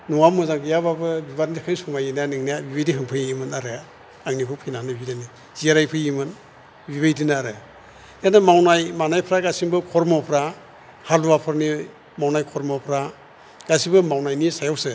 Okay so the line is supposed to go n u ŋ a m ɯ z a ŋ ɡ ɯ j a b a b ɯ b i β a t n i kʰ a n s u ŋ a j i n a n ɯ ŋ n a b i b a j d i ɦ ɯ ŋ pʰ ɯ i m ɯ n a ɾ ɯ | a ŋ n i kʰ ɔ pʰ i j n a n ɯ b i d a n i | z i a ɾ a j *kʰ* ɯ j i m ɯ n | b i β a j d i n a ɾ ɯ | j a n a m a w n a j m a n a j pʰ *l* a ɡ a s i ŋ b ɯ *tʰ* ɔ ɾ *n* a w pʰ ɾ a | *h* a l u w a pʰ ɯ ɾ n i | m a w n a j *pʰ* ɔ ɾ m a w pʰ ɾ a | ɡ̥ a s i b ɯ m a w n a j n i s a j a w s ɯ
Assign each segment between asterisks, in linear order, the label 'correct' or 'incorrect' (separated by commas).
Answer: incorrect, incorrect, incorrect, incorrect, correct, incorrect